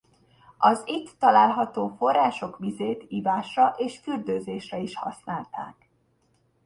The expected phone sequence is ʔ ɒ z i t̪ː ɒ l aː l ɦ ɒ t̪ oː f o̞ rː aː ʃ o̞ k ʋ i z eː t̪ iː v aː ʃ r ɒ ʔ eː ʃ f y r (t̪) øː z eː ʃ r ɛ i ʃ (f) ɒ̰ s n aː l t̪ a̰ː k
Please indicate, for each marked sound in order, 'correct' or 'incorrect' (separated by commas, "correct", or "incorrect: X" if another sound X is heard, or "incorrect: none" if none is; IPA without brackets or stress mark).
incorrect: d̪, incorrect: h